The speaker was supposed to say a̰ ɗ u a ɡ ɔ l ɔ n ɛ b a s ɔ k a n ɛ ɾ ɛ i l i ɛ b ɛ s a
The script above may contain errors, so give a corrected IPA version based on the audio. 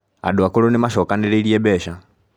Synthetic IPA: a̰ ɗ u a k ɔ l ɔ n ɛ m a ʃ ɔ k a n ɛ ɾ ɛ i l i ɛ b ɛ ʃ a